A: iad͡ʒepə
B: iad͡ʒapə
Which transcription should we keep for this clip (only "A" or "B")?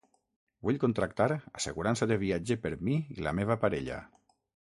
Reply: A